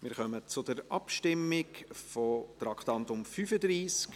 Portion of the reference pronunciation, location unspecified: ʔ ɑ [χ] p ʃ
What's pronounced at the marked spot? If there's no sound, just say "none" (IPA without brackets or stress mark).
none